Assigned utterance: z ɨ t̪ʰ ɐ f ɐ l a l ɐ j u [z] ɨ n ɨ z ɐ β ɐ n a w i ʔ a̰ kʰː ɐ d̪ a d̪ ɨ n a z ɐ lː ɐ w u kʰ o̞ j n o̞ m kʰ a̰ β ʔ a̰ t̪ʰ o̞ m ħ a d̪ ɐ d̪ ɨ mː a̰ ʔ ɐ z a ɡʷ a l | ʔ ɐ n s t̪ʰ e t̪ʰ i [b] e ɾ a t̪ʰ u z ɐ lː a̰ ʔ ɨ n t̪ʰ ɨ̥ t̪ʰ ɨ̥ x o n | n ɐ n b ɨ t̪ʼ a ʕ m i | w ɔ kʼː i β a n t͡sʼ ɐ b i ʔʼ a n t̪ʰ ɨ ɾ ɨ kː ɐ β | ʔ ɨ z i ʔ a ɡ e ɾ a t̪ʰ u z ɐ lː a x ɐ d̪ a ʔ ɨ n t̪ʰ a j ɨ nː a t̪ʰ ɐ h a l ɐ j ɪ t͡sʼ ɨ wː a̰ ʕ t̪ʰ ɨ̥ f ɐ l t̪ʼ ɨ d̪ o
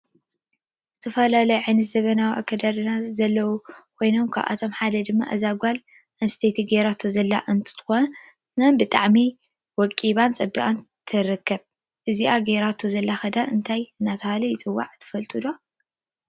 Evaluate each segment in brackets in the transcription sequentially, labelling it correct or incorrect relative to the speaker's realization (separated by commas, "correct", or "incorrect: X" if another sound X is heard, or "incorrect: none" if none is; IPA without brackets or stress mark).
incorrect: ʕ, incorrect: ɡ